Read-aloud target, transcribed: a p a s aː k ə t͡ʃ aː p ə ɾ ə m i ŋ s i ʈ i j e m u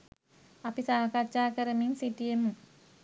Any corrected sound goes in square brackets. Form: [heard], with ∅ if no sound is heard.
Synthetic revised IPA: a p [i] s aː k [a] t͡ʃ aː [k] ə ɾ ə m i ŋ s i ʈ i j e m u